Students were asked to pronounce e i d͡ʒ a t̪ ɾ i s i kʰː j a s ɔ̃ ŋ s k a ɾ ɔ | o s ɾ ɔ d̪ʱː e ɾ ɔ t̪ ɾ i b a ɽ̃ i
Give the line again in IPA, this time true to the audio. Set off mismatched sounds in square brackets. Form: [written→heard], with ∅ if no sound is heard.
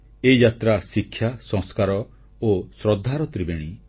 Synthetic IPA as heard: e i d͡ʒ a t̪ ɾ [i→a] s i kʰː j a s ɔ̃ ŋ s k a ɾ ɔ | o s ɾ ɔ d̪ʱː [e→a] ɾ ɔ t̪ ɾ i b [a→e] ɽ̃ i